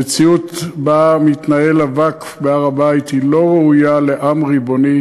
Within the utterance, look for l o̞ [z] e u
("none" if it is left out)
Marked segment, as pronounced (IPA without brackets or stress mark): ʁ